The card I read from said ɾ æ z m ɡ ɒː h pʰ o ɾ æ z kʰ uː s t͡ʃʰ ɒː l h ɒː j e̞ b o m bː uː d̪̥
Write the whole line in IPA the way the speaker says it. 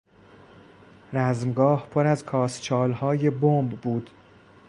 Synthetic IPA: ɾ æ z m ɡ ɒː h pʰ o ɾ æ z kʰ ɒː s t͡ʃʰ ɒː l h ɒː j e̞ b o m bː uː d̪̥